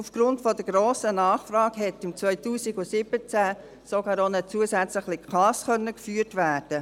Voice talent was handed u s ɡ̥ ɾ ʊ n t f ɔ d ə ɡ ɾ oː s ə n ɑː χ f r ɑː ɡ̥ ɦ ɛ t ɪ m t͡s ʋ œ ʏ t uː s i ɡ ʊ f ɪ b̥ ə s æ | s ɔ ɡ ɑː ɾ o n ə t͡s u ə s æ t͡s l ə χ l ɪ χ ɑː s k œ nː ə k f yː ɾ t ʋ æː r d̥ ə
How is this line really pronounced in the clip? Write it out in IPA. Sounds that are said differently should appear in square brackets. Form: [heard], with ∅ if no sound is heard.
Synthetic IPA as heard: u [f] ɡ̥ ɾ ʊ n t f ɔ d ə ɡ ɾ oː s ə n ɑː χ f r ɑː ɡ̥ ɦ ɛ t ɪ m t͡s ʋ œ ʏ t uː s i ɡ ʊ [s] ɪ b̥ ə [t͡s] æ | s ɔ ɡ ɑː ɾ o n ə t͡s u ə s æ t͡s l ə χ l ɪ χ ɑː s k œ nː ə k f yː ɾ t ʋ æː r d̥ ə